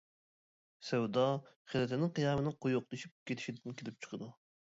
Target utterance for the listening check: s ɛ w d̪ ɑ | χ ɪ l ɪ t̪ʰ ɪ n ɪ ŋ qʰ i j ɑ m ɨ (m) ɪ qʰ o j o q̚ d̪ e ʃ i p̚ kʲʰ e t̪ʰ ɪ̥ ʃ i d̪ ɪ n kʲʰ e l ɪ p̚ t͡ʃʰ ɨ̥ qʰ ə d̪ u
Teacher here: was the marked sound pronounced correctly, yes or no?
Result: no